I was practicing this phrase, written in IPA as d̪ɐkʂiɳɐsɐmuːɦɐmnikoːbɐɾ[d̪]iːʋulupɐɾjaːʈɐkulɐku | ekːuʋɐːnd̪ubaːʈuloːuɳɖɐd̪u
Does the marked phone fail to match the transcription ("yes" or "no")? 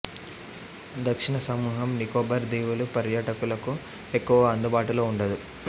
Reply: no